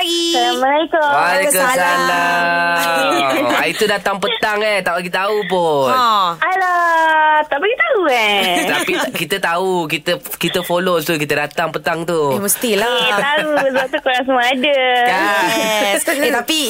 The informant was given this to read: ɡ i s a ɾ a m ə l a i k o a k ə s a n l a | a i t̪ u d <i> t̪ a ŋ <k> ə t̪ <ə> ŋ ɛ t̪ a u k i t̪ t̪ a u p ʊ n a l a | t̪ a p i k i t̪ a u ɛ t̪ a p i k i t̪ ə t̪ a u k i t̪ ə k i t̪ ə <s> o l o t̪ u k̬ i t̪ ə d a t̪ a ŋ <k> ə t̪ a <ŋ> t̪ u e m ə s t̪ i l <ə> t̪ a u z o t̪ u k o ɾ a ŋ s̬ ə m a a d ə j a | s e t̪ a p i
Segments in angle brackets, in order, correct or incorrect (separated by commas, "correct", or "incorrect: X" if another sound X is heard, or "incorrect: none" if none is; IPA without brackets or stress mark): incorrect: a, incorrect: p, incorrect: a, incorrect: f, incorrect: p, correct, incorrect: a